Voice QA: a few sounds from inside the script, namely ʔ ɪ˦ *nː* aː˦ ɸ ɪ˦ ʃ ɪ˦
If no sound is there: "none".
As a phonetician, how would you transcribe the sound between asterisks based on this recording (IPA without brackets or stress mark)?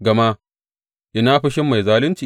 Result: n